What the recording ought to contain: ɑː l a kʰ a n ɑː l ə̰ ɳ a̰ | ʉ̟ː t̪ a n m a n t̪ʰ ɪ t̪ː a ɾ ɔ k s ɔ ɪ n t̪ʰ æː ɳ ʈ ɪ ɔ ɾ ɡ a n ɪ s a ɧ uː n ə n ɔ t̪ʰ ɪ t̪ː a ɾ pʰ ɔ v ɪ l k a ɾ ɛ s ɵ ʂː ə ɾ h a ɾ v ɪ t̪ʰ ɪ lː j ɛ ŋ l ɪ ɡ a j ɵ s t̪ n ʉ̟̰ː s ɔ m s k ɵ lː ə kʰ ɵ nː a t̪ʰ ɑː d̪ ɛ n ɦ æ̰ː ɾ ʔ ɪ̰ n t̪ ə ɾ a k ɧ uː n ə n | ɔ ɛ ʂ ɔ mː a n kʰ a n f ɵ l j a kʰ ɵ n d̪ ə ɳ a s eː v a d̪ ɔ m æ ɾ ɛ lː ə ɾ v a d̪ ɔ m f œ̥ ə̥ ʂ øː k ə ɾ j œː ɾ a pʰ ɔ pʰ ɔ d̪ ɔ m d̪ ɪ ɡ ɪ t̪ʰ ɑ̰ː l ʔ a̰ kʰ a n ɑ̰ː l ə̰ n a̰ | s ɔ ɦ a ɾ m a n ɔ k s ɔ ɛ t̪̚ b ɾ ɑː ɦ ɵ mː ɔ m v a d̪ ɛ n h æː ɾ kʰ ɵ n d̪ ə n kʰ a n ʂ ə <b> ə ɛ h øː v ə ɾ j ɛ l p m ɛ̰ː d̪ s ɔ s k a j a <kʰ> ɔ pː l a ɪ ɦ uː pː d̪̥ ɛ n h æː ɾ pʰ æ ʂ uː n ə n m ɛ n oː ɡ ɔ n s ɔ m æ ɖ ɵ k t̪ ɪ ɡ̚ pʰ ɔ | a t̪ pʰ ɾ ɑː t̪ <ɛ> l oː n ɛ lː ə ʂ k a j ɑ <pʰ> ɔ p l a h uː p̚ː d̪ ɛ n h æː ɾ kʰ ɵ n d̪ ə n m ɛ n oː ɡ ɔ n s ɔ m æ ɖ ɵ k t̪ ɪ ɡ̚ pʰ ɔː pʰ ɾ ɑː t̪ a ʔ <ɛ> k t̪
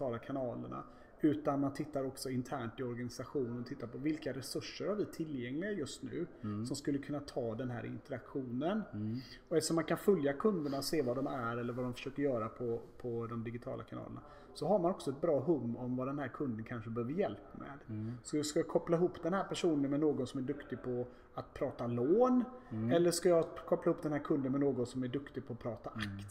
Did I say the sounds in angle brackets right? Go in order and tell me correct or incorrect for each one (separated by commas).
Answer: correct, correct, incorrect, incorrect, incorrect